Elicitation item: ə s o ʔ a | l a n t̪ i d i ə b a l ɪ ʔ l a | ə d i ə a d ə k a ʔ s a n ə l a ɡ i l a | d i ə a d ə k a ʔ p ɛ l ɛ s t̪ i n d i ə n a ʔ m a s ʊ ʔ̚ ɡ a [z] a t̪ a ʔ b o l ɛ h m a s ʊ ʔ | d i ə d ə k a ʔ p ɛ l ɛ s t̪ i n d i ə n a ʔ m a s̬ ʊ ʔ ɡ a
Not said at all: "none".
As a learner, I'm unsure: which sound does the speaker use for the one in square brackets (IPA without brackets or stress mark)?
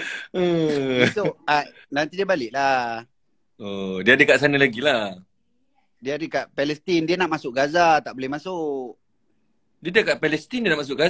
z